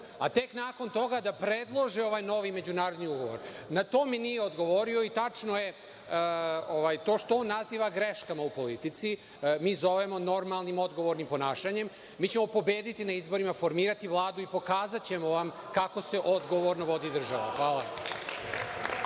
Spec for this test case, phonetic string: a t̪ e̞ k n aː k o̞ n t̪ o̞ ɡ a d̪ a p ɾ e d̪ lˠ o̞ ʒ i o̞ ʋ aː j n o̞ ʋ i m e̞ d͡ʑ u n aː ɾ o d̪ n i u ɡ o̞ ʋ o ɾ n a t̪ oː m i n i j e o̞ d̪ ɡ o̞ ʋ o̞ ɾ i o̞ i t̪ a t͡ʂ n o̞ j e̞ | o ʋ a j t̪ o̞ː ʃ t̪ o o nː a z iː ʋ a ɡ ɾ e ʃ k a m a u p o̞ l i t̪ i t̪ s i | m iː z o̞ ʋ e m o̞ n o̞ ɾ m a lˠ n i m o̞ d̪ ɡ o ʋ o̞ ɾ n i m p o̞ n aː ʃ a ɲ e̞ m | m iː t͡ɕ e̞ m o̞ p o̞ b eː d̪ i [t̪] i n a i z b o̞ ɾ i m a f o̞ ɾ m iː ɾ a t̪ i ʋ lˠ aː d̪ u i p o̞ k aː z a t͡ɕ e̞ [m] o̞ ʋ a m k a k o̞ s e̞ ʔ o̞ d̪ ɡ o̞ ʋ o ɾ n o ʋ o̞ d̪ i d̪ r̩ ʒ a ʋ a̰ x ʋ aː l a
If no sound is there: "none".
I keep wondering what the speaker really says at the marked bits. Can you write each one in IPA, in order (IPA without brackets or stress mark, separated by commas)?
t̪, m